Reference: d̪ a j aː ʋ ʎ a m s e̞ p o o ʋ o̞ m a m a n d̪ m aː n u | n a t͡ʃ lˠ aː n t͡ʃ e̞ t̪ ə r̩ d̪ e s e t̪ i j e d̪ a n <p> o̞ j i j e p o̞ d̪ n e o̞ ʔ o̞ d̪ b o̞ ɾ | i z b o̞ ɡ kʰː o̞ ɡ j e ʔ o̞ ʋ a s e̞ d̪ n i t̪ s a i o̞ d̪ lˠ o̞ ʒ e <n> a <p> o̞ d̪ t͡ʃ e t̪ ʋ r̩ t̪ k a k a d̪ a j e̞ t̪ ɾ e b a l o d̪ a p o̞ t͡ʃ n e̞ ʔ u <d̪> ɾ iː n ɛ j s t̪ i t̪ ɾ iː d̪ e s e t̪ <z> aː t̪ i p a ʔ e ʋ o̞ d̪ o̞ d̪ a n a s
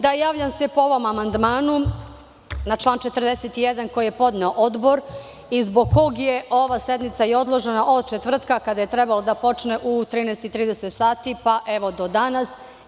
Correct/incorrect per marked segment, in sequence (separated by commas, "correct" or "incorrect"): incorrect, correct, incorrect, incorrect, incorrect